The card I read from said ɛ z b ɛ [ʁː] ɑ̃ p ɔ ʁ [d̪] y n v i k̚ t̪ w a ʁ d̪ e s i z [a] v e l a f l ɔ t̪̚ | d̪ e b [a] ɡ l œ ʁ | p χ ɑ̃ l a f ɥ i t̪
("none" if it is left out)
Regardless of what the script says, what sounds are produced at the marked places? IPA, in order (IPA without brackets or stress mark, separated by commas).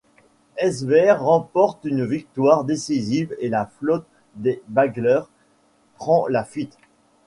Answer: ʁː, t̪, i, a